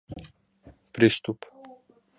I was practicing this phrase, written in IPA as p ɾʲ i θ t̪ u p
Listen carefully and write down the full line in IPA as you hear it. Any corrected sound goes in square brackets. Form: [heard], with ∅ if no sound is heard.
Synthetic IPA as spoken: p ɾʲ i [s] t̪ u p